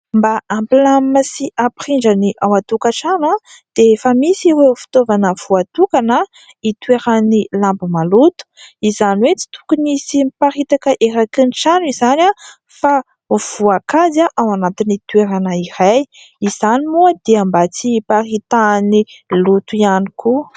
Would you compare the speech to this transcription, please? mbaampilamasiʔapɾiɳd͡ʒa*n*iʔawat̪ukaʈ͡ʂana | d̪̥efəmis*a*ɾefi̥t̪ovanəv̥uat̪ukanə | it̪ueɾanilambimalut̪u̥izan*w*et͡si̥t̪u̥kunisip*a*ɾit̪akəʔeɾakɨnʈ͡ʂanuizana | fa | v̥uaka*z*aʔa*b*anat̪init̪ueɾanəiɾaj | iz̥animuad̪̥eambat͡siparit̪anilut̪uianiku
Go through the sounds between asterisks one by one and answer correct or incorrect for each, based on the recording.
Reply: correct, incorrect: i, correct, correct, correct, incorrect: w

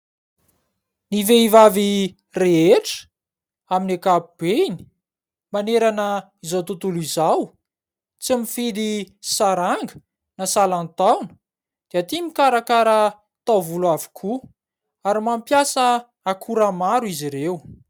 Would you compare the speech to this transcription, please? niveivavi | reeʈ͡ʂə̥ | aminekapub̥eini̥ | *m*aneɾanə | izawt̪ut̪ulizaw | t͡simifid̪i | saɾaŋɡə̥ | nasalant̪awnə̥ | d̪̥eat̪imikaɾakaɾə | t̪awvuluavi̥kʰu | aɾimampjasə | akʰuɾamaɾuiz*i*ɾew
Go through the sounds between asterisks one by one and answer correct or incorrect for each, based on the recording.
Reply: correct, correct

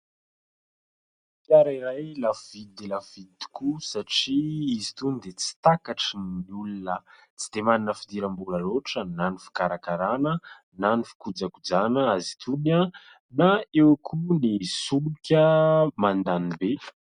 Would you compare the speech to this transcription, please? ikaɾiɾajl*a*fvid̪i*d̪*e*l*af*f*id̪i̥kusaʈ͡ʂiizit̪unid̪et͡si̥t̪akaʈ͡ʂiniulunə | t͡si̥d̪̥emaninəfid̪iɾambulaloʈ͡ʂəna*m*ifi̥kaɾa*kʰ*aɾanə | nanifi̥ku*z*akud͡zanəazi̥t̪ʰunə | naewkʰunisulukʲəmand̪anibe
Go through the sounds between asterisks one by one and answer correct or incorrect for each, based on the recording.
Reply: correct, correct, correct, incorrect: v, incorrect: n, incorrect: k, incorrect: d͡z

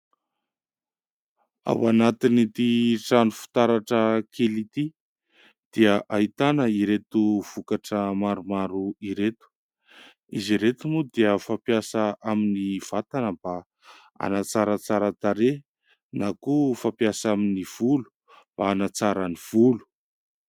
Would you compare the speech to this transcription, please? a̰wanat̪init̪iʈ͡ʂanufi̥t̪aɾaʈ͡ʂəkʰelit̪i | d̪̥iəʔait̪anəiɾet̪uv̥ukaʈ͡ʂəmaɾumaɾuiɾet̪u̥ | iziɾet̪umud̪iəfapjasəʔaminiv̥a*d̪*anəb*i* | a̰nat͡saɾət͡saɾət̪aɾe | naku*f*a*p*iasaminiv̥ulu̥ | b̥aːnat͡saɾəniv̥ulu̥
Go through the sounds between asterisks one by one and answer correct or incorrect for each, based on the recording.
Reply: incorrect: t̪, incorrect: a, correct, correct

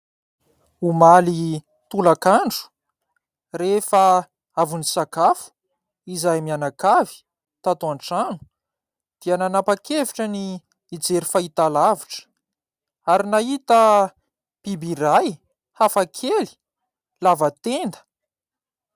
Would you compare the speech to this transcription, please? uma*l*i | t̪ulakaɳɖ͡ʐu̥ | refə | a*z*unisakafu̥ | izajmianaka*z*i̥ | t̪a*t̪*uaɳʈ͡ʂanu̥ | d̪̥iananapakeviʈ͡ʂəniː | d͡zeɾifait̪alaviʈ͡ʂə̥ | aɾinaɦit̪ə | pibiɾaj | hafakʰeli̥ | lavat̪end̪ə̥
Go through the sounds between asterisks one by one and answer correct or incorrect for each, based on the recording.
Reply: correct, incorrect: v, incorrect: v, correct

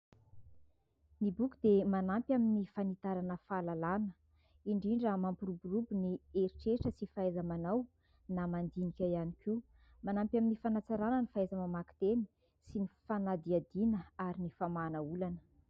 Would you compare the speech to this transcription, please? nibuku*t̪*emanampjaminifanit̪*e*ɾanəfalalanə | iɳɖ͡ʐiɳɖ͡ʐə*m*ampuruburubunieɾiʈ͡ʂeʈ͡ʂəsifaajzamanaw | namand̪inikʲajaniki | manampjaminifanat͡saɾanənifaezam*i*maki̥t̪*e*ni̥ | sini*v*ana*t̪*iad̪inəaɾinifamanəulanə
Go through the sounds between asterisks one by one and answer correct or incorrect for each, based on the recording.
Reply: incorrect: d̪, incorrect: a, correct, incorrect: a, correct, incorrect: f, incorrect: d̪

